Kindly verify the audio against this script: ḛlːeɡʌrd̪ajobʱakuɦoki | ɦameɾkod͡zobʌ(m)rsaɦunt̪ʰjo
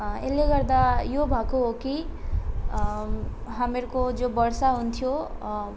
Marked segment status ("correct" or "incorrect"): incorrect